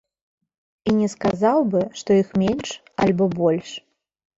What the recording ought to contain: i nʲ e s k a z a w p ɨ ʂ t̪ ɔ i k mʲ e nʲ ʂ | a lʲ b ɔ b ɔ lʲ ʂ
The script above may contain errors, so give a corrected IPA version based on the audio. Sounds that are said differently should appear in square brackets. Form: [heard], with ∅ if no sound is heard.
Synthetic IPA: i nʲ [ɛ] s k a z a w [b] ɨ ʂ t̪ ɔ i [x] mʲ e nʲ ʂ | a lʲ b ɔ b ɔ lʲ ʂ